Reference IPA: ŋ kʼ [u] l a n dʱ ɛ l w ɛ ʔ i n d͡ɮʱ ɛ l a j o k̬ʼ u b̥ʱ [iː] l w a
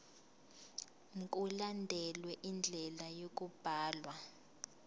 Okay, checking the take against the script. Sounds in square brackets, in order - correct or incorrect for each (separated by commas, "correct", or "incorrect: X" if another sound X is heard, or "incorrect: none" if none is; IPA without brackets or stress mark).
correct, incorrect: aː